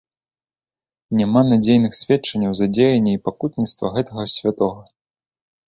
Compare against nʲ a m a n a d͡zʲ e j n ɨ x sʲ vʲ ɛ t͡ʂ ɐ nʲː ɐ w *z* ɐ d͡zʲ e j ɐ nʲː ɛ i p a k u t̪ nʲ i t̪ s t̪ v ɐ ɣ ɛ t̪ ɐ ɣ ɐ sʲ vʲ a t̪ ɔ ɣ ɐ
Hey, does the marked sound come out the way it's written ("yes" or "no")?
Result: yes